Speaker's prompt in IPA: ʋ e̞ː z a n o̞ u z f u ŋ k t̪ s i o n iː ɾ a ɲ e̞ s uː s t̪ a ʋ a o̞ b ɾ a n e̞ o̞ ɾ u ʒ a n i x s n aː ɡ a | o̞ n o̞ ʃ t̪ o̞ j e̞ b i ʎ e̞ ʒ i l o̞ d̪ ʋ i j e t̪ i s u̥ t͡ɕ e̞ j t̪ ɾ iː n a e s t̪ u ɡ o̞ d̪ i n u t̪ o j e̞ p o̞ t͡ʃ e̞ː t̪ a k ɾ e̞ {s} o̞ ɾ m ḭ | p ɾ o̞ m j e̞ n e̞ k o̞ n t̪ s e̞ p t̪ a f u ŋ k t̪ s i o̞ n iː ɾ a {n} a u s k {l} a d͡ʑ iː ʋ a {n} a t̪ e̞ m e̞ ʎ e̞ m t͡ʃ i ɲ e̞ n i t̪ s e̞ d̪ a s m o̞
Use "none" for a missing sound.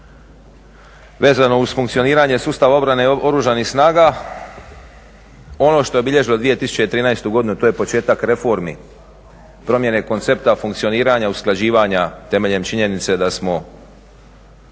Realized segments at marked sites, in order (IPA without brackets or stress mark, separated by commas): f, ɲ, l, ɲ